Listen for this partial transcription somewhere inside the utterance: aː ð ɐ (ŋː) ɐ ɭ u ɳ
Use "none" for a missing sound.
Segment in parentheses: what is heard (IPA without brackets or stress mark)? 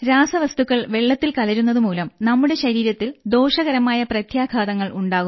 ŋː